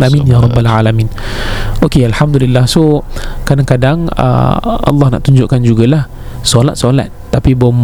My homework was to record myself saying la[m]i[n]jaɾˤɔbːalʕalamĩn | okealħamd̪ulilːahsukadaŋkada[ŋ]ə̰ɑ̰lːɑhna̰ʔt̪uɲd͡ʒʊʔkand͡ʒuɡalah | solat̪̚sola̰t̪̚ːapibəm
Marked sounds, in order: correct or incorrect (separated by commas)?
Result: correct, correct, correct